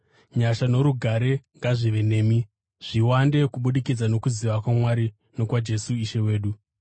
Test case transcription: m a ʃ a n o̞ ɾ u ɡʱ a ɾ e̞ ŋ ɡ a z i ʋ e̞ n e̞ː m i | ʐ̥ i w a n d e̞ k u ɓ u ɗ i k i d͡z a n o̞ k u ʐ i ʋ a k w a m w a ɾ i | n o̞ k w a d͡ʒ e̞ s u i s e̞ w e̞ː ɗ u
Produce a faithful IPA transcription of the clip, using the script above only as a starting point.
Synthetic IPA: ɲ a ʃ a n o̞ ɾ u ɡʱ a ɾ e̞ ŋ ɡ a ʐ i ʋ e̞ n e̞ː m i | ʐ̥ i w a n d e̞ k u ɓ u ɗ i k i d͡z a n o̞ k u z i ʋ a k w a m w a ɾ i | n o̞ k w a d͡ʒ e̞ s u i ʃ e̞ w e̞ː ɗ u